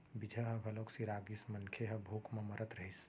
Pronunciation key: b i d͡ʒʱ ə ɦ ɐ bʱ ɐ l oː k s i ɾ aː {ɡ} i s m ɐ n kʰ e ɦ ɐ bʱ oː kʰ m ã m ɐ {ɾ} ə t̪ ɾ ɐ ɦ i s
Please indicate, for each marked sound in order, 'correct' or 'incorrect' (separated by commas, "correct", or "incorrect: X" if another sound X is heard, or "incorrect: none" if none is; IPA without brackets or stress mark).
correct, correct